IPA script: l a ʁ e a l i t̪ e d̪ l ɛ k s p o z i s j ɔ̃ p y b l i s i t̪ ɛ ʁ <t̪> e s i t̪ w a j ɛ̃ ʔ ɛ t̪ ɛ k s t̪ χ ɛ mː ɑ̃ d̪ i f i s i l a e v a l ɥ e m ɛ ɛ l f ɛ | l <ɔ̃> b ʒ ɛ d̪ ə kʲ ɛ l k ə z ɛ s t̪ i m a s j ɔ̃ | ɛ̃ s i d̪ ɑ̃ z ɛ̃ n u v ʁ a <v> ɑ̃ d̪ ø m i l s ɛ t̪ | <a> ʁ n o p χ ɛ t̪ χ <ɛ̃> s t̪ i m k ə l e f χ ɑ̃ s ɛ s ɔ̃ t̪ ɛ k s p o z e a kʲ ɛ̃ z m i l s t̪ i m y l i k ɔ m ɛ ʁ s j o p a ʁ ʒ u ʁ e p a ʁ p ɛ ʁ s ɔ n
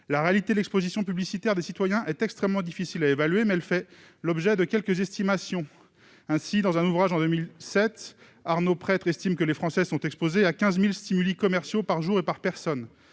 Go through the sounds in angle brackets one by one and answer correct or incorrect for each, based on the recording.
incorrect: d̪, incorrect: ɔ, incorrect: ʒ, correct, incorrect: ɛ

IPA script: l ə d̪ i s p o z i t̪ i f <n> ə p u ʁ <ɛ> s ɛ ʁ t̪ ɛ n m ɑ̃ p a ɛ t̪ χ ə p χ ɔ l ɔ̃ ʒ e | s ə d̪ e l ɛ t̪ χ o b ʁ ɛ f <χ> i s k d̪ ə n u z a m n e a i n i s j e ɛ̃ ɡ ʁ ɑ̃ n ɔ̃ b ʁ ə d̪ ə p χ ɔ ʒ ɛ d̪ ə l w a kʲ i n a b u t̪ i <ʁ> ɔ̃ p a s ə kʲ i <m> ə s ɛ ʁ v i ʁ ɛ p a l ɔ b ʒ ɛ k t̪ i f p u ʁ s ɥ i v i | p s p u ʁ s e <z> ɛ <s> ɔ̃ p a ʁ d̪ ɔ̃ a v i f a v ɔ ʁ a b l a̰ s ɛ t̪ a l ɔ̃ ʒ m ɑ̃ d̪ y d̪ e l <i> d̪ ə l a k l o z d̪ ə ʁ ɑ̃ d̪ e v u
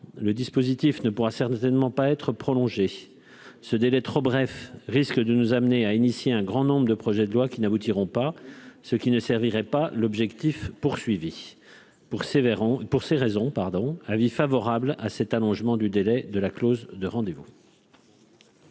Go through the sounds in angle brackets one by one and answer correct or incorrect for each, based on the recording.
correct, incorrect: a, incorrect: ʁ, correct, incorrect: n, incorrect: ʁ, incorrect: z, incorrect: ɛ

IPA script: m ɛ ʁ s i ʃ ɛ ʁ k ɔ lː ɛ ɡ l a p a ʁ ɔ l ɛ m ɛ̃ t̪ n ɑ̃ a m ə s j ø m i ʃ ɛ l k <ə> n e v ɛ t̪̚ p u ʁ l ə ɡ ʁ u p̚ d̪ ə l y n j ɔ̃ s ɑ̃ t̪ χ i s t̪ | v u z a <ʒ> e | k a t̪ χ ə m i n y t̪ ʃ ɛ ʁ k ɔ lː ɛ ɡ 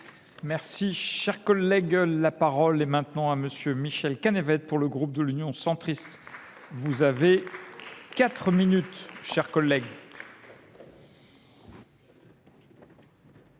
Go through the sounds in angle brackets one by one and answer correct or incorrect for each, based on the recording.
incorrect: a, incorrect: v

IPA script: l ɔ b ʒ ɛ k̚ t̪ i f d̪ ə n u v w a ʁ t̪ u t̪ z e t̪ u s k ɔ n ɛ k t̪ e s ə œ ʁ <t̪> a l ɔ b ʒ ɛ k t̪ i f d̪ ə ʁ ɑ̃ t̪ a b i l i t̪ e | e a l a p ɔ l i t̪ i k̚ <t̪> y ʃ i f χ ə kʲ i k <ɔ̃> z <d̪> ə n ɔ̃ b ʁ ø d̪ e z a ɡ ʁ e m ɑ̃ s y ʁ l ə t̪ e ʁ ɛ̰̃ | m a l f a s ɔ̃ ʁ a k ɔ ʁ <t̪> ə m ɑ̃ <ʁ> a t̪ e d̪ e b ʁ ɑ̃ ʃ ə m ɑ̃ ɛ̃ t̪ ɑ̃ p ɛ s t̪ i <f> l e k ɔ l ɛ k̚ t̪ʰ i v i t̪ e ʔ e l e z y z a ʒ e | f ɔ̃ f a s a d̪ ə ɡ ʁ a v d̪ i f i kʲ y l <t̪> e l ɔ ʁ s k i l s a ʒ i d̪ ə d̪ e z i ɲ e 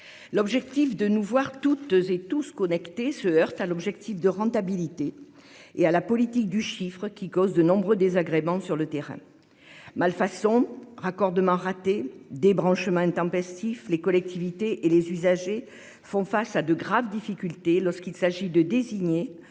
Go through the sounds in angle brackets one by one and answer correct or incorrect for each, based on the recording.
correct, incorrect: d̪, incorrect: ɔ, correct, incorrect: d̪, correct, correct, correct

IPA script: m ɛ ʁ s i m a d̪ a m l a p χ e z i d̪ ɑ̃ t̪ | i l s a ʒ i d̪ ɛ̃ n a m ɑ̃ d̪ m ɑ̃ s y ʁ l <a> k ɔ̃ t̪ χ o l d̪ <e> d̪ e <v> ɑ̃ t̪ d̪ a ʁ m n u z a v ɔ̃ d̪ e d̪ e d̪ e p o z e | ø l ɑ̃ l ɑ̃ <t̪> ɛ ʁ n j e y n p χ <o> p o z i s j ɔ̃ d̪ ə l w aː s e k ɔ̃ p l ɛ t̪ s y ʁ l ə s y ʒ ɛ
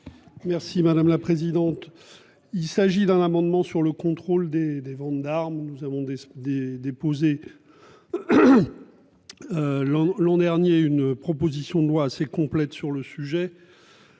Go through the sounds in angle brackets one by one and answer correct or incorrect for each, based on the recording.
incorrect: ə, correct, correct, incorrect: d̪, incorrect: ɔ

